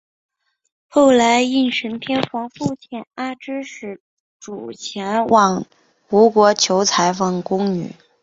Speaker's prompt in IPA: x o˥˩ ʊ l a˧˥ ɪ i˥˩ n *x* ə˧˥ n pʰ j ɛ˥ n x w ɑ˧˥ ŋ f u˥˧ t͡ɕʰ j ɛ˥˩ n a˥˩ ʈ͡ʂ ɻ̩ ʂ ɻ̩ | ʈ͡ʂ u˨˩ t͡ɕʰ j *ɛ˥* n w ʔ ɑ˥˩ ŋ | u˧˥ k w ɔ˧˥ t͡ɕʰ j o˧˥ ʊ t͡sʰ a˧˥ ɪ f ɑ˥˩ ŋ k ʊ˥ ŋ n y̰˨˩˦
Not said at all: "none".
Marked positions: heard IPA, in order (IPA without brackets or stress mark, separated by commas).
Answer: ʂ, ɛ˧˥